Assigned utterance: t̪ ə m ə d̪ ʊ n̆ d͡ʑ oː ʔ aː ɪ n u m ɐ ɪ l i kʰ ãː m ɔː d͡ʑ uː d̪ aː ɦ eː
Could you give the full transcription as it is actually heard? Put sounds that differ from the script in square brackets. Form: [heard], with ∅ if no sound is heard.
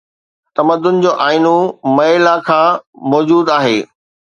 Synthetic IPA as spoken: t̪ [ɐ] m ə d̪ ʊ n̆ d͡ʑ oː ʔ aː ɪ n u m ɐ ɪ l [a] kʰ ãː m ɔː d͡ʑ uː d̪ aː ɦ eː